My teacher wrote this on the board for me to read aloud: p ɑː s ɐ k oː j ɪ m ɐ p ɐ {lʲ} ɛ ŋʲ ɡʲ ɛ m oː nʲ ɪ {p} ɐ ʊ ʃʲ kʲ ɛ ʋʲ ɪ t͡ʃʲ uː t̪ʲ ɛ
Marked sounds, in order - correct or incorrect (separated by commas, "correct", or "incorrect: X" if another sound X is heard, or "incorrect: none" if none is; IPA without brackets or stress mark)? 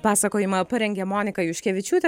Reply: incorrect: ɾʲ, incorrect: k